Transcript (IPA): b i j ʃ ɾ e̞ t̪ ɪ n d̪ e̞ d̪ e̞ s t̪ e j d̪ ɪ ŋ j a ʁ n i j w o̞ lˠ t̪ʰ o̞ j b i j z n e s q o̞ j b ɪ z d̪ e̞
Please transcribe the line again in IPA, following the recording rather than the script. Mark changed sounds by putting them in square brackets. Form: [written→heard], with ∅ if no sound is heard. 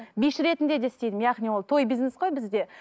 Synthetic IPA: b i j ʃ ɾ e̞ t̪ ɪ n d̪ e̞ d̪ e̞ s t̪ e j d̪ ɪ [ŋ→m] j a ʁ n i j w o̞ lˠ t̪ʰ o̞ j b i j z n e s q o̞ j b ɪ z d̪ e̞